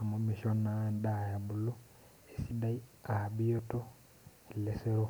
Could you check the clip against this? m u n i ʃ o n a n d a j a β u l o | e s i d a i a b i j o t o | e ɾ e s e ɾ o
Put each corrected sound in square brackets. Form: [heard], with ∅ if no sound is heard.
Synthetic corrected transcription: m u [m] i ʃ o n a n d a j a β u l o | e s i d a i a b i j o t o | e [l] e s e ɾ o